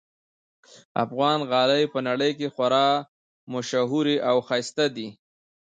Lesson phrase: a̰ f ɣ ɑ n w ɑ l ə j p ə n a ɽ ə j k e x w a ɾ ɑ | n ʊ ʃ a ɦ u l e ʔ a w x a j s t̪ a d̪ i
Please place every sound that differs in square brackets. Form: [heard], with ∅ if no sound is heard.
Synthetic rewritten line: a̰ f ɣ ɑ n [ɣ] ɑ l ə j p ə n a ɽ ə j k e x w a ɾ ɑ | [m] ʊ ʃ a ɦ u [ɾ] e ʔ a w x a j s t̪ a d̪ i